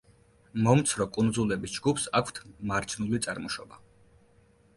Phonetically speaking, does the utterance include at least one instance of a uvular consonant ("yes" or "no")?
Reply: no